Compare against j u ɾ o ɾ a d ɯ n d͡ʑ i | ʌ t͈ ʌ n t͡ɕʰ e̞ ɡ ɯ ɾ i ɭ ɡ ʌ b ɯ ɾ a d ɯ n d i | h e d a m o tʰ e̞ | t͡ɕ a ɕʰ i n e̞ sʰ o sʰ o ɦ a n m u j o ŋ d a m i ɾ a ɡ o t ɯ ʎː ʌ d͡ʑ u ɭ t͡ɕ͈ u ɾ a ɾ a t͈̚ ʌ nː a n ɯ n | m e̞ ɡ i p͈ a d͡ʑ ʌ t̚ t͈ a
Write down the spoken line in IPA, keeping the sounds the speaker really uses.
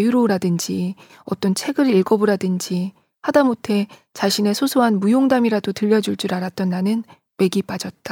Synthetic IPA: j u ɾ o ɾ a d ɯ n d͡ʑ i | ʌ t͈ ʌ n t͡ɕʰ e̞ ɡ ɯ ɾ i ɭ ɡ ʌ b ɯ ɾ a d ɯ n d͡ʑ i | h a d a m o tʰ e̞ | t͡ɕ a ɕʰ i n e̞ sʰ o sʰ o ɦ a n m u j o ŋ d a m i ɾ a d o t ɯ ʎː ʌ d͡ʑ u ɭ t͡ɕ͈ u ɾ a ɾ a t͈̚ ʌ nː a n ɯ n | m e̞ ɡ i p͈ a d͡ʑ ʌ t̚ t͈ a